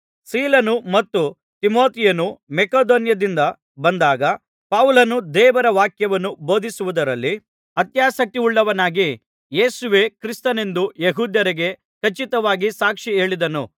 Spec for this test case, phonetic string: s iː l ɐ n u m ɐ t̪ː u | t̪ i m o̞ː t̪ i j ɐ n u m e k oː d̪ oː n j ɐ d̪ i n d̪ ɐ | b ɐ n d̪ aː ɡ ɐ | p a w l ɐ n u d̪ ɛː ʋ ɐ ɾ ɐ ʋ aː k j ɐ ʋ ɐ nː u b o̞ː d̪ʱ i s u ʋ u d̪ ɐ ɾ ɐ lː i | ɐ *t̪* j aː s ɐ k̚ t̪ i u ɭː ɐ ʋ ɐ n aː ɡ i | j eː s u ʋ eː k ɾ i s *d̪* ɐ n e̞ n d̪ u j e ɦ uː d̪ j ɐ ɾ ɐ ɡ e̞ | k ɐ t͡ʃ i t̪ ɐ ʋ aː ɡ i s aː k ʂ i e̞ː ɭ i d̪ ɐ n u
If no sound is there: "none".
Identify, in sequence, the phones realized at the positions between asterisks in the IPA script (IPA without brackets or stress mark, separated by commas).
t̪, t̪